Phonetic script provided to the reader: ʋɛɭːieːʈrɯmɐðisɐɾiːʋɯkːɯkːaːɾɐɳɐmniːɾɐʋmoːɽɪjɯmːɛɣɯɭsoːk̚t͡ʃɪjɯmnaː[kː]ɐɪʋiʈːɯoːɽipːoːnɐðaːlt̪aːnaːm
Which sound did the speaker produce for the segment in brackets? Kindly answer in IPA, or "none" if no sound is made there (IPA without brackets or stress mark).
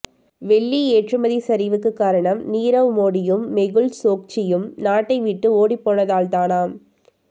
ʈː